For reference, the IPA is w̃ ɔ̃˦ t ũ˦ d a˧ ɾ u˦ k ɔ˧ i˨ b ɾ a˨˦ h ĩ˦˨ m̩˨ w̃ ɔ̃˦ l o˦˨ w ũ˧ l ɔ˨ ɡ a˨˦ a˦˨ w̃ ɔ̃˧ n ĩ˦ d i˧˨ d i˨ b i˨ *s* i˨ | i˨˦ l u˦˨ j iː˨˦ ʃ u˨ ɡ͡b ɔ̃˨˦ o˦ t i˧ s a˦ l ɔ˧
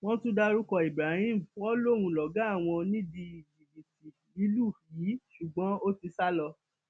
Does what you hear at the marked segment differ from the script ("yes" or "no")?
yes